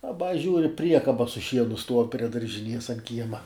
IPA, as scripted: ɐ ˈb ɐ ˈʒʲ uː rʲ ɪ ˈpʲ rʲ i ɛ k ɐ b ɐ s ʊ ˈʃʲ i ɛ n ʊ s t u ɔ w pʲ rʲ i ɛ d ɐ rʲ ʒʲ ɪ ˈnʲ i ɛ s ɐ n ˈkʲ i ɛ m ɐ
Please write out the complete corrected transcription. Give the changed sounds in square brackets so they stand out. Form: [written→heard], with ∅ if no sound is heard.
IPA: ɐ ˈb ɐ ˈʒʲ uː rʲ ɪ ˈpʲ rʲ i ɛ k ɐ b ɐ s ʊ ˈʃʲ i ɛ n ʊ s t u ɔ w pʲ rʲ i ɛ d ɐ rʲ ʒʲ ɪ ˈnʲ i ɛ s ɐ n ˈkʲ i ɛ m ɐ